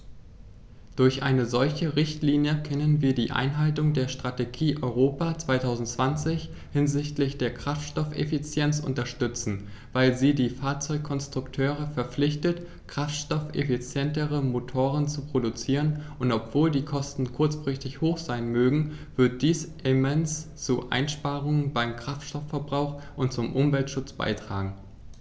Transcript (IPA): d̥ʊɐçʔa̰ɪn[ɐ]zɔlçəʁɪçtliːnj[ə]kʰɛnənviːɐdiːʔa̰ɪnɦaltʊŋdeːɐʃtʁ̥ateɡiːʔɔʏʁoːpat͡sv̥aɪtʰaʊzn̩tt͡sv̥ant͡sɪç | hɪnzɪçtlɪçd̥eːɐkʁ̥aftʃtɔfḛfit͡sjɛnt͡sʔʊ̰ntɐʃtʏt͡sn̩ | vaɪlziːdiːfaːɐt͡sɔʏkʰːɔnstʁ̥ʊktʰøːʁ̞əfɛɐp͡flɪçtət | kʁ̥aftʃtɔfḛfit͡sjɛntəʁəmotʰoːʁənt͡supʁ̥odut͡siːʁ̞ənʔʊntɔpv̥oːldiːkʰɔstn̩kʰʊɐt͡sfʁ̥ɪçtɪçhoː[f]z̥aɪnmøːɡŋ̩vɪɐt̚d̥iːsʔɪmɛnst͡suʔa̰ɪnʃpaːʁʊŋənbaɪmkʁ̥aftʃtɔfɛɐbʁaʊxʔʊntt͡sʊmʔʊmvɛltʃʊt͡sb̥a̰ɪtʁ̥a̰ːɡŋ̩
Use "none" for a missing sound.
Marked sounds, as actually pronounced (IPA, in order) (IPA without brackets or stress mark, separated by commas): ə, ə, x